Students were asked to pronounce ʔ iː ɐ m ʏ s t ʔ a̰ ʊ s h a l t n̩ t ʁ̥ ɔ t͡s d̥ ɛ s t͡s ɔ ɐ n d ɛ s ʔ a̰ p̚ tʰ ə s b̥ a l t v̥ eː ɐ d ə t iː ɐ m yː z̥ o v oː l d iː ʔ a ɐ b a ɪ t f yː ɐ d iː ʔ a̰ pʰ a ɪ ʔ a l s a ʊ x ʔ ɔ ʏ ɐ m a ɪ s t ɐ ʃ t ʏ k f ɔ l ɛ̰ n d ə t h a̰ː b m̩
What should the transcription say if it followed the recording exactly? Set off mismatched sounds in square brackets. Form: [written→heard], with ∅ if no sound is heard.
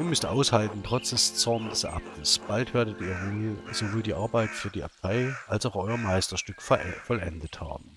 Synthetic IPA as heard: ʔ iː ɐ m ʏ s t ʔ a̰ ʊ s h a l t n̩ t ʁ̥ ɔ t͡s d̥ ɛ s t͡s ɔ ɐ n d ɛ s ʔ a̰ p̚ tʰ ə s b̥ a l t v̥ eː ɐ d ə t iː ɐ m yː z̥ o v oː l d iː ʔ a ɐ b a ɪ t f yː ɐ d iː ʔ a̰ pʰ a ɪ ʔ a l s a ʊ x ʔ ɔ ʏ ɐ m a ɪ s t ɐ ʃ t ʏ k f ɔ l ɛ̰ n d ə t h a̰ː b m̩